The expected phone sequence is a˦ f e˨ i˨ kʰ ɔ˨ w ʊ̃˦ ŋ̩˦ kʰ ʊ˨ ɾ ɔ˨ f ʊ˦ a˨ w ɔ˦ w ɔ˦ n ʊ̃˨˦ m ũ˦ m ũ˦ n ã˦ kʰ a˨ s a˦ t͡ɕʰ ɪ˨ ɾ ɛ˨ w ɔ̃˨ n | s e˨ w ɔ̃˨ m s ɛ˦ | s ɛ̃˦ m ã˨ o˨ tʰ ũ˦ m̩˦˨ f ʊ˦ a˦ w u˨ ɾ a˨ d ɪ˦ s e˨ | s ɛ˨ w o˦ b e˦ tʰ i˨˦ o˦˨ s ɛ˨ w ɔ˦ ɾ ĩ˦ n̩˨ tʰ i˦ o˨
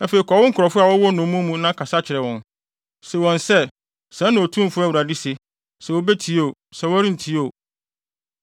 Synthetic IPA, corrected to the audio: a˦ f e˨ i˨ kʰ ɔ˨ w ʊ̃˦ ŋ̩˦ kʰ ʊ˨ ɾ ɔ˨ f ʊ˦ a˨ w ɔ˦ w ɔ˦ n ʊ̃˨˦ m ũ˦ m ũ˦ n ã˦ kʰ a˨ s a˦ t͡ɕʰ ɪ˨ ɾ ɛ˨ w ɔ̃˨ n | s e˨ w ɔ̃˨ n s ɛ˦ | s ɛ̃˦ n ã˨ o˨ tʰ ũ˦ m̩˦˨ f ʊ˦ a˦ w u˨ ɾ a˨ d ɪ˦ s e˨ | s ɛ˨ w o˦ b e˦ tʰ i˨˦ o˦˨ s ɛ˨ w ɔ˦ ɾ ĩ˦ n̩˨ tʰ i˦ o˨